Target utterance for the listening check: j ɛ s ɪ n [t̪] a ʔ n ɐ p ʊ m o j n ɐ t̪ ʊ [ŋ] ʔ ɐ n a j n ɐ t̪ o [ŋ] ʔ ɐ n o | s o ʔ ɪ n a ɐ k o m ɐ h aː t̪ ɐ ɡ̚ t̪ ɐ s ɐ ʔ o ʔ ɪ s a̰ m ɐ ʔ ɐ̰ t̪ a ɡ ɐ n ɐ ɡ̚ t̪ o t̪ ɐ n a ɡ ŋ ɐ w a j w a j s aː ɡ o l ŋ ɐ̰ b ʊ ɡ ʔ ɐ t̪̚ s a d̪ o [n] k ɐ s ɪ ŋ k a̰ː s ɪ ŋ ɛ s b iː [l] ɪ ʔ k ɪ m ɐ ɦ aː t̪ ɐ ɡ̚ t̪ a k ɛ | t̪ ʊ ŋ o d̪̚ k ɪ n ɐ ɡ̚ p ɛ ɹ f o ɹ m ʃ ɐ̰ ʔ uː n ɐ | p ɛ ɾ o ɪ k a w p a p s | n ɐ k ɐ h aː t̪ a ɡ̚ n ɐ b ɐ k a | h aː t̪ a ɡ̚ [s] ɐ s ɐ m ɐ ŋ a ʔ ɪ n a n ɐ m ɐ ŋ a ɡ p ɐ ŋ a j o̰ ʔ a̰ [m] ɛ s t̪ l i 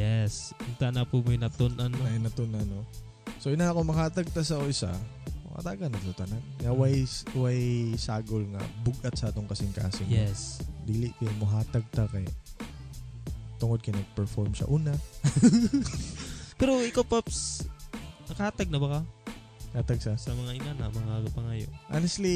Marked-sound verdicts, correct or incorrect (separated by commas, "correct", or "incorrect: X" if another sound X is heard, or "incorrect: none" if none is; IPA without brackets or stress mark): correct, incorrect: n, incorrect: n, incorrect: ŋ, correct, correct, incorrect: n